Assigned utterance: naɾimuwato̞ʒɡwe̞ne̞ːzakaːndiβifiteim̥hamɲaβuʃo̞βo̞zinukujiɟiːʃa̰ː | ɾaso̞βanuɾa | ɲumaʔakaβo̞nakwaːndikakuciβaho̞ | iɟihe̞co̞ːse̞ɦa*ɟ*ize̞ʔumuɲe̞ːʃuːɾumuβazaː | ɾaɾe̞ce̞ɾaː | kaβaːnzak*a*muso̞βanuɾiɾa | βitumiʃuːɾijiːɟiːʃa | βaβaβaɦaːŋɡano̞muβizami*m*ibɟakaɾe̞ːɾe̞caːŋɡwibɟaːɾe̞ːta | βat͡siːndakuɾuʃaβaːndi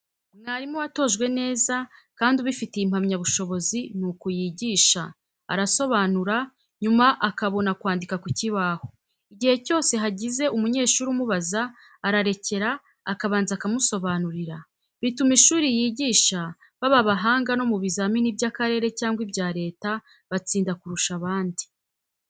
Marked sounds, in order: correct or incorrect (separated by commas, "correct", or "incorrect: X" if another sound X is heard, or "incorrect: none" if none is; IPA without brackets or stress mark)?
correct, correct, incorrect: n